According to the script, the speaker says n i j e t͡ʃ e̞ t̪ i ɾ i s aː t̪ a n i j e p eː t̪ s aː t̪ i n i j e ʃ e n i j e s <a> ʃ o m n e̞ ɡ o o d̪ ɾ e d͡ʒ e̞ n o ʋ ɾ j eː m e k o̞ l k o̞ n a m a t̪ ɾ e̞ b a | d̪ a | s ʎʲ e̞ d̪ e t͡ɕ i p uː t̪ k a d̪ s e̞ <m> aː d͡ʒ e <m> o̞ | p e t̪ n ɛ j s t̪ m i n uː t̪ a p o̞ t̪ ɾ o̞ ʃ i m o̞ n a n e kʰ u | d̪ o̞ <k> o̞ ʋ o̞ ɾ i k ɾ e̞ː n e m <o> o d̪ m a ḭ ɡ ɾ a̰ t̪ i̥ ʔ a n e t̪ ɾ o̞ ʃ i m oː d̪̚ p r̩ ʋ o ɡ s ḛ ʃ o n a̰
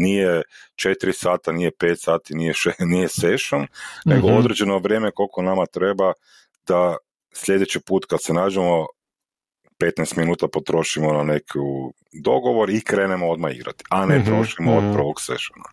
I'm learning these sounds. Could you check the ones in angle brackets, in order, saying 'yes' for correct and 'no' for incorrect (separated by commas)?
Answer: no, no, yes, no, yes